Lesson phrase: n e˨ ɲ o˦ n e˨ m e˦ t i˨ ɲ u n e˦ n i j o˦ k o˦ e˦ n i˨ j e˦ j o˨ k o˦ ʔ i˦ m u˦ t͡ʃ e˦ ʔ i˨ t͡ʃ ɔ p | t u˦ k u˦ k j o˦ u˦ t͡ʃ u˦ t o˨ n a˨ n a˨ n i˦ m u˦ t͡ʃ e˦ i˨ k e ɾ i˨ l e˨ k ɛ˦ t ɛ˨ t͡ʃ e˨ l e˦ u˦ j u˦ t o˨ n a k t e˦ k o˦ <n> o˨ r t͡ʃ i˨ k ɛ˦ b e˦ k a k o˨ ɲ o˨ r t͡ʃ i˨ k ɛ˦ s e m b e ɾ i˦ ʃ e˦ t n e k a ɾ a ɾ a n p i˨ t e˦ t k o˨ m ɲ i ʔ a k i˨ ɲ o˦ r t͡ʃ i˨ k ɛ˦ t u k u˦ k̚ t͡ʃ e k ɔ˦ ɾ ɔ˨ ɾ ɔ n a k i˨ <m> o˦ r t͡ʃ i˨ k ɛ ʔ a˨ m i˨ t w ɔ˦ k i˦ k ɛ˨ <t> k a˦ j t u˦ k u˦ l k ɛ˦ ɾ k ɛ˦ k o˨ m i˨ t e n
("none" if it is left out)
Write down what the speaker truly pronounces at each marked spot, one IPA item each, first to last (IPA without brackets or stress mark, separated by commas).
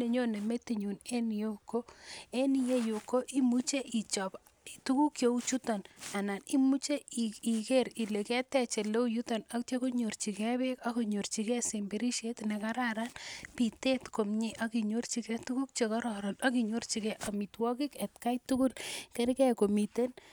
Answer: ɲ, ɲ, t